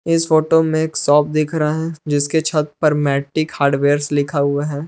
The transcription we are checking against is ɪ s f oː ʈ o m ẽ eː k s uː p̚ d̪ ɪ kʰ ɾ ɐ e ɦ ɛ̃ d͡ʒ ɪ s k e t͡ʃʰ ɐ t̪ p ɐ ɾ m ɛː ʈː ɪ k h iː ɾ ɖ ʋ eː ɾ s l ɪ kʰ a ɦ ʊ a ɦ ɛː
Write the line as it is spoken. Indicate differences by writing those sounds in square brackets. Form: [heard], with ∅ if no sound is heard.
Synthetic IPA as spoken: ɪ s f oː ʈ o m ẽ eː k s [ɔː] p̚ d̪ ɪ kʰ ɾ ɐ [a] ɦ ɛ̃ d͡ʒ ɪ s k e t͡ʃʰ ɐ t̪ p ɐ ɾ m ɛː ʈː ɪ k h [aː] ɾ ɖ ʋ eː ɾ s l ɪ kʰ a ɦ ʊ a ɦ ɛː